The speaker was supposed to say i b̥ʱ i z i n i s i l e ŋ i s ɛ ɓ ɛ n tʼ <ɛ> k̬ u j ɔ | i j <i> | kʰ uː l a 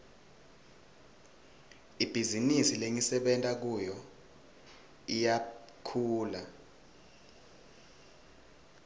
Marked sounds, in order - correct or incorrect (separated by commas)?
incorrect, incorrect